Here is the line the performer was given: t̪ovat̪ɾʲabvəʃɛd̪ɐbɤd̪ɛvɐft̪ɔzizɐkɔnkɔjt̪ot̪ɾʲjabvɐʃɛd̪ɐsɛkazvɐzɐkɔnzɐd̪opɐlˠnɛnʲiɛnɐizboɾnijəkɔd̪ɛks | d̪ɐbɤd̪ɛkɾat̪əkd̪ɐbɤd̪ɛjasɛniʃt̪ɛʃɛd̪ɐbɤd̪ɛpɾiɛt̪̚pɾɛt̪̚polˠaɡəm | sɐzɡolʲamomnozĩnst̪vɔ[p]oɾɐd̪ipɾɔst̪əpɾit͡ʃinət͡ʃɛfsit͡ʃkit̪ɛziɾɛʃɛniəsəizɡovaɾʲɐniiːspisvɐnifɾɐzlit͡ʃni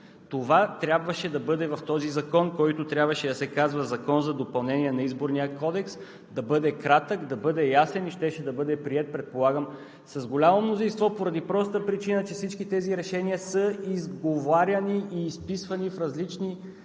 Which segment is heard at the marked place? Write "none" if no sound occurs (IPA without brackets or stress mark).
p